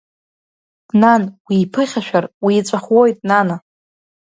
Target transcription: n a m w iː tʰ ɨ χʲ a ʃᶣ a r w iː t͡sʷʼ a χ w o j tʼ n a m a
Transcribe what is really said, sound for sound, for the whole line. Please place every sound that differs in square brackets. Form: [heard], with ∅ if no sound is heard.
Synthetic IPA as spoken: n a [n] w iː [pʰ] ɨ χʲ a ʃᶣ a r w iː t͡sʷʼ a χ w o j tʼ n a [n] a